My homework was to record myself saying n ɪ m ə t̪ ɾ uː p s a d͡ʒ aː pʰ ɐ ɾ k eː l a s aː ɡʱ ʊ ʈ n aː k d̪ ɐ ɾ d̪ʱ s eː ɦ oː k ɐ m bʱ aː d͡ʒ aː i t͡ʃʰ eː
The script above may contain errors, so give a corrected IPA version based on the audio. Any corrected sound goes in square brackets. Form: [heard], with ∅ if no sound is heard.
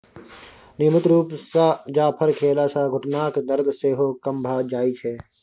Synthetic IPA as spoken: n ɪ m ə t̪ ɾ uː p s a d͡ʒ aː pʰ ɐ ɾ [kʰ] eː l a s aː ɡʱ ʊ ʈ n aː k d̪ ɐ ɾ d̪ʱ s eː ɦ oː k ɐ m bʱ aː d͡ʒ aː i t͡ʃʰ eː